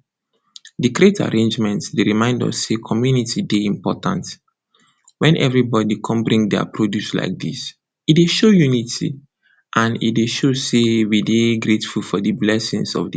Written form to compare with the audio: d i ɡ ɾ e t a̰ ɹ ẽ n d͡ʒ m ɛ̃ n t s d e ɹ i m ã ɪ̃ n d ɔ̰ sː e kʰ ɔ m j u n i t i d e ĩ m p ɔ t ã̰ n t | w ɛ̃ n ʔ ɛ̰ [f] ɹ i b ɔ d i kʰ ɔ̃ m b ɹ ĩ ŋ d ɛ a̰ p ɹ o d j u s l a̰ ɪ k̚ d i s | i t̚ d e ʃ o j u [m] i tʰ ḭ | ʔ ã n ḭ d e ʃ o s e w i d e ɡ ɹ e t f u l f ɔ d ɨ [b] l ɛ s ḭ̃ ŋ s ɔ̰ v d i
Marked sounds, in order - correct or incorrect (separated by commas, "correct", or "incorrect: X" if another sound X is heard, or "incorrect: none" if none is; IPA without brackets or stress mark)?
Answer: incorrect: v, incorrect: n, correct